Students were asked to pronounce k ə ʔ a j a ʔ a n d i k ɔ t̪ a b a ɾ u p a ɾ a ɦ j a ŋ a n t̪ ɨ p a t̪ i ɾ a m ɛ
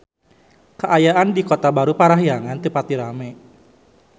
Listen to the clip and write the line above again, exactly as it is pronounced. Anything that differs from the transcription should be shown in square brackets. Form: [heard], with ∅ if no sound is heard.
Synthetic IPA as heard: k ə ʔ a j a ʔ a n d i k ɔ t̪ a b a ɾ u p a ɾ a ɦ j a ŋ a n t̪ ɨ p a t̪ i ɾ a m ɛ